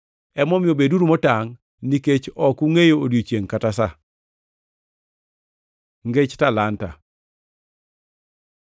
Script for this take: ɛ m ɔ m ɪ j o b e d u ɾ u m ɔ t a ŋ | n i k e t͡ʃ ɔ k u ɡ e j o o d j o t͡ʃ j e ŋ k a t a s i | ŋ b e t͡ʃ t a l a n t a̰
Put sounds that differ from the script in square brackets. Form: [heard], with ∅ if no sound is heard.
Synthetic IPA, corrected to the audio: ɛ m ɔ m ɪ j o b e d u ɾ u m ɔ t a ŋ | n i k e t͡ʃ ɔ k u [ŋ] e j o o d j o t͡ʃ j e ŋ k a t a s [a] | ŋ [ɡ] e t͡ʃ t a l a n t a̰